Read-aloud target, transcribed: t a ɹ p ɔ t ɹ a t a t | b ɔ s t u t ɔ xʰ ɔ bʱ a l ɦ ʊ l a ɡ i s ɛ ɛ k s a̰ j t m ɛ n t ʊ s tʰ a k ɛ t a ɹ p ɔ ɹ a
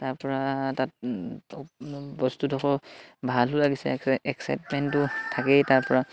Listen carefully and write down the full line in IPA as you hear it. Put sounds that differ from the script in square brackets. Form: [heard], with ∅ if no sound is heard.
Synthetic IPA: t a ɹ p ɔ [∅] ɹ a t a t | b ɔ s t u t ɔ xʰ ɔ bʱ a l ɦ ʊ l a ɡ i s ɛ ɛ k s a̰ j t m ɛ n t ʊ [∅] tʰ a k ɛ t a ɹ p ɔ ɹ a